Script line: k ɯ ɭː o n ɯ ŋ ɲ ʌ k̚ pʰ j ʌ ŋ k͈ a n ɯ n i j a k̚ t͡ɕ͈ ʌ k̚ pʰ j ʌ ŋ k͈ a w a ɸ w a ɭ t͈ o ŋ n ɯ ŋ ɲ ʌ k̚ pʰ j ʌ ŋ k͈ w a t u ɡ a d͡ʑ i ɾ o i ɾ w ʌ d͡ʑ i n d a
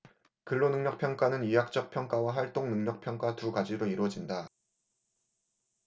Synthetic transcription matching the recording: k ɯ ɭː o n ɯ ŋ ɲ ʌ k̚ pʰ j ʌ ŋ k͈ a n ɯ n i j a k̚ t͡ɕ͈ ʌ k̚ pʰ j ʌ ŋ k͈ a w a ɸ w a ɭ t͈ o ŋ n ɯ ŋ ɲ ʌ k̚ pʰ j ʌ ŋ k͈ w a t u ɡ a d͡ʑ i ɾ o i ɾ w ʌ d͡ʑ i n d a